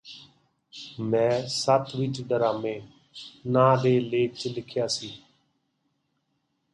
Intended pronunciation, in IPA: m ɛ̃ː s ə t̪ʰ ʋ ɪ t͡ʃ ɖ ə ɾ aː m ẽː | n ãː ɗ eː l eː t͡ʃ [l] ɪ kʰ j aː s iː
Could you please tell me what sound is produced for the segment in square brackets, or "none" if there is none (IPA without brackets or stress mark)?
l